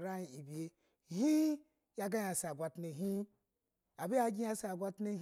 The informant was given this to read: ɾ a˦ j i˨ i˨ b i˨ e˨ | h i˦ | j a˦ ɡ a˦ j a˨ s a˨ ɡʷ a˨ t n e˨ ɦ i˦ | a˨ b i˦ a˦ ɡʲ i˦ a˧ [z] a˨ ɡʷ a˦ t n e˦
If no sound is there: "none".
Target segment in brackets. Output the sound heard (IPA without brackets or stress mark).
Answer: s